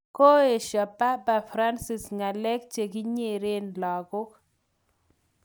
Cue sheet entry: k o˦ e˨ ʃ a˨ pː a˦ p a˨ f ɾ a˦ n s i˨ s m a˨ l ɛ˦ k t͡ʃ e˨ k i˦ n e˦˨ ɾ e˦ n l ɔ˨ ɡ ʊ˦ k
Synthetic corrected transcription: k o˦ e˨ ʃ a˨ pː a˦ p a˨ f ɾ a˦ n s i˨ s ŋ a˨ l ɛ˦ k t͡ʃ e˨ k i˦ ɲ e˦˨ ɾ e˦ n l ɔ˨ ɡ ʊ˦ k

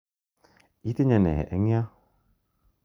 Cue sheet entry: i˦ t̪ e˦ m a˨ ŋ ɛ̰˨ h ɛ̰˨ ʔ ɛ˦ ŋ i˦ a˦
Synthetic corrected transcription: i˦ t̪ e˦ ɲ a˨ n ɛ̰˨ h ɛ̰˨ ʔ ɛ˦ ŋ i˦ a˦

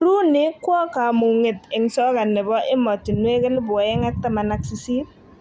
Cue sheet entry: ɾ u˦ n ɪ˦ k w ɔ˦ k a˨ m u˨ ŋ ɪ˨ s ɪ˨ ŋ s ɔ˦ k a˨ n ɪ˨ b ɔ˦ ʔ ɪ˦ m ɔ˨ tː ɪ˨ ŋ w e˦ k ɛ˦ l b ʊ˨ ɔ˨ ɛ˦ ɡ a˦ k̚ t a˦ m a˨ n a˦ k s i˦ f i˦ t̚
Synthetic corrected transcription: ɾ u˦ n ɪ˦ k w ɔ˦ k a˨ m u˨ ŋ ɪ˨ t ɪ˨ ŋ s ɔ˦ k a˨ n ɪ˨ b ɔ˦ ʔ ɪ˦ m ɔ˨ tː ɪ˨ n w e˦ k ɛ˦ l b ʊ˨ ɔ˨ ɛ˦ ŋ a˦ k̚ t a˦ m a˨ n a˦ k s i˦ s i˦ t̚

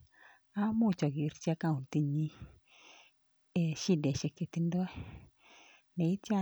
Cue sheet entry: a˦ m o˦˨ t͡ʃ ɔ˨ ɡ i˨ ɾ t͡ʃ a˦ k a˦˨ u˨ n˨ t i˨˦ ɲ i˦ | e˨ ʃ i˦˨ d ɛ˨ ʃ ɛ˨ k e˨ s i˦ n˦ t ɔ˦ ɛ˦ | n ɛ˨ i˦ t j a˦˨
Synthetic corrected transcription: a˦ m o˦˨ t͡ʃ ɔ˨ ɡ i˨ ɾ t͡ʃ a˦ k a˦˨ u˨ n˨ t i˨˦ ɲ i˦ | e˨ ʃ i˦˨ d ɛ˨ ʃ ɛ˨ k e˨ t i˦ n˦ d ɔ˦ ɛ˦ | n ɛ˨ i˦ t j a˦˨

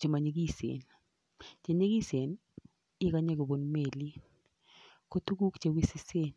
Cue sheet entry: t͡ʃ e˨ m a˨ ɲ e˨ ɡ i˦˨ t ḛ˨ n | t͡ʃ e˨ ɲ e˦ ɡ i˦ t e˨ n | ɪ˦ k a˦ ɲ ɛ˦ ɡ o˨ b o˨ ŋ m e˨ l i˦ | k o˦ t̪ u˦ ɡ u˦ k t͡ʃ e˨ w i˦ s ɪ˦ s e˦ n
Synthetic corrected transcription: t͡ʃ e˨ m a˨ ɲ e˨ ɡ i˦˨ s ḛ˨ n | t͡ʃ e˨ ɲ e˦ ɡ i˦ s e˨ n | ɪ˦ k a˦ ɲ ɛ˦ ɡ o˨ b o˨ n m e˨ l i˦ | k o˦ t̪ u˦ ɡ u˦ k t͡ʃ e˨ w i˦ s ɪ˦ s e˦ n

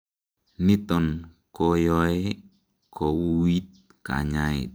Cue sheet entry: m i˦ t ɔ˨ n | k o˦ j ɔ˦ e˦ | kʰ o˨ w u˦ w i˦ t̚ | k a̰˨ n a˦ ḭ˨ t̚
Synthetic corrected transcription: n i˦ t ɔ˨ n | k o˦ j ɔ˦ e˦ | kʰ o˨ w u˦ w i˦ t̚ | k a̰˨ ɲ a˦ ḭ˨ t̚

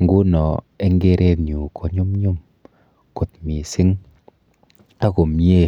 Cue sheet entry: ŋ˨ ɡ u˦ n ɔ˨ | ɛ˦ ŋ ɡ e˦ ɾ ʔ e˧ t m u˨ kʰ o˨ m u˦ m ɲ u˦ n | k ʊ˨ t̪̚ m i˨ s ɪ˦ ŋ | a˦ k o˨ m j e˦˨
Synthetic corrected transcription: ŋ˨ ɡ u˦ n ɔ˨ | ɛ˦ ŋ ɡ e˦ ɾ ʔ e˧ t ɲ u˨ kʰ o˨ ɲ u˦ m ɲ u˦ m | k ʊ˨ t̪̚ m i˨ s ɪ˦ ŋ | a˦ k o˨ m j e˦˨

